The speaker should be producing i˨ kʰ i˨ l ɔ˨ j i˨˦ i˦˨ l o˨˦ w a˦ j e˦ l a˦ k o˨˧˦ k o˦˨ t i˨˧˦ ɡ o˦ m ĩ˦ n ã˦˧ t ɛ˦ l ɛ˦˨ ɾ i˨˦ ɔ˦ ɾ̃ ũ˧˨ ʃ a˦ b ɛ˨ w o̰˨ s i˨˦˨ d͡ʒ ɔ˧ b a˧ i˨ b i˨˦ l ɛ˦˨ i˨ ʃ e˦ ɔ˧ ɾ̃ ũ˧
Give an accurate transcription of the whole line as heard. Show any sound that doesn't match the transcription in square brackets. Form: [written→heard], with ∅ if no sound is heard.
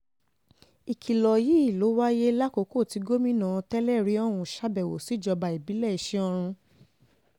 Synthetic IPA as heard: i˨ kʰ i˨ l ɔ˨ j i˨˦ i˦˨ l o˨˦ w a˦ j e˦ l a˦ k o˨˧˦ k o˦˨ t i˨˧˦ ɡ o˦ m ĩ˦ n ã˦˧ t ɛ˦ l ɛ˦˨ ɾ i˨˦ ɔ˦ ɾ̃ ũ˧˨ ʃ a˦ b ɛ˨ w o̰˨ s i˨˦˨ d͡ʒ ɔ˧ b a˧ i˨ b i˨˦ l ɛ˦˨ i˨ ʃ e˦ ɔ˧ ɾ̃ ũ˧